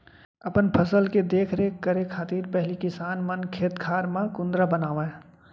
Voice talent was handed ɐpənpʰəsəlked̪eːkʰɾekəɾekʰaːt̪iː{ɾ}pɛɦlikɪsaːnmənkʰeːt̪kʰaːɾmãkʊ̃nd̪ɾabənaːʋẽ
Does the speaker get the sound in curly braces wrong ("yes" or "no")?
no